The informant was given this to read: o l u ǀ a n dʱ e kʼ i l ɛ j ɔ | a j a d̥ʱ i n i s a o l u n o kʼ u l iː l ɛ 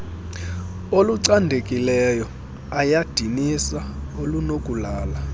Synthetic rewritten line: o l u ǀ a n dʱ e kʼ i l ɛ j ɔ | a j a d̥ʱ i n i s a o l u n o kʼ u l aː l a